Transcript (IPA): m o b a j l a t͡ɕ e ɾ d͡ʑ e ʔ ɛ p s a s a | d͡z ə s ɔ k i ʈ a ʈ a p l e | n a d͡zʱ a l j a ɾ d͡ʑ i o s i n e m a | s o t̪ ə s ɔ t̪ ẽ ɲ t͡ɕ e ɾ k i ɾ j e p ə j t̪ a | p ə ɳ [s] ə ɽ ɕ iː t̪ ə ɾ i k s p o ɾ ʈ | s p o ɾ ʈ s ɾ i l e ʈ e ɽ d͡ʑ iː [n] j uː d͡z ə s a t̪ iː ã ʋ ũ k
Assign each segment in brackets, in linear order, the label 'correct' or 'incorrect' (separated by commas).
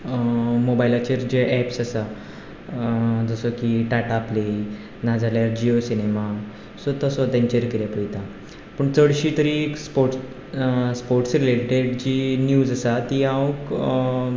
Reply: incorrect, correct